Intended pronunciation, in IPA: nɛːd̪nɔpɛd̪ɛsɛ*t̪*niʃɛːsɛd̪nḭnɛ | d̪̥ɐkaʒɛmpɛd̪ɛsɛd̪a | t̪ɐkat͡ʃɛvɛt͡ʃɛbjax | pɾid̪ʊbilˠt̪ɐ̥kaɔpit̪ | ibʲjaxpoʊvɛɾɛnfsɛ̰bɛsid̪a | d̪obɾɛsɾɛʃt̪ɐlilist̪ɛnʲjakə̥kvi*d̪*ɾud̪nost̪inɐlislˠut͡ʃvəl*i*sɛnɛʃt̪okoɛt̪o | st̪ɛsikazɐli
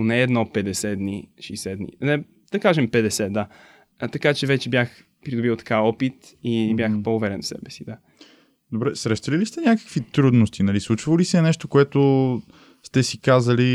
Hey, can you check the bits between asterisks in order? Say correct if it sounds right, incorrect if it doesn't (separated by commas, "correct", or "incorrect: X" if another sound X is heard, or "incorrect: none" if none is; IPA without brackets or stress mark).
incorrect: d̪, incorrect: t̪, correct